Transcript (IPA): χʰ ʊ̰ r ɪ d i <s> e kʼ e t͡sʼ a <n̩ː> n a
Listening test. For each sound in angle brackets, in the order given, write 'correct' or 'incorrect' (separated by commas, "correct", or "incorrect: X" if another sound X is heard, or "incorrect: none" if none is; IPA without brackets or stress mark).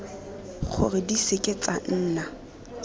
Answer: correct, correct